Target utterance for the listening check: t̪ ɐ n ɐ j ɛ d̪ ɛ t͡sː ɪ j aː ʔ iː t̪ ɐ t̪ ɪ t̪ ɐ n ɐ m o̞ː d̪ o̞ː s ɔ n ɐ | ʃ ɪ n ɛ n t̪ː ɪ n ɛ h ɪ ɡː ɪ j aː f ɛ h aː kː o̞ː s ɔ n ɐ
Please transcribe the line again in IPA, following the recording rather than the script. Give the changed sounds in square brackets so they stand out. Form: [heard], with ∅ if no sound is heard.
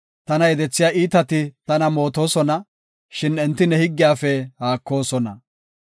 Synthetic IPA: t̪ ɐ n ɐ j ɛ d̪ ɛ t͡sː ɪ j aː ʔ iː t̪ ɐ t̪ ɪ t̪ ɐ n ɐ m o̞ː [t̪] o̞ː s ɔ n ɐ | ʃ ɪ n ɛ n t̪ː ɪ n ɛ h ɪ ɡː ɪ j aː f ɛ h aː kː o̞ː s ɔ n ɐ